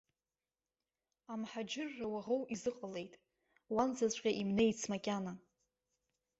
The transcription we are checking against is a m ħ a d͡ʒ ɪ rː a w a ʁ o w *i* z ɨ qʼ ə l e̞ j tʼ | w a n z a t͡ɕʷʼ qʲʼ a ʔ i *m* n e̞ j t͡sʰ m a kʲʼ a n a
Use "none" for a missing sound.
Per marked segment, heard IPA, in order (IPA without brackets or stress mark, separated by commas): i, m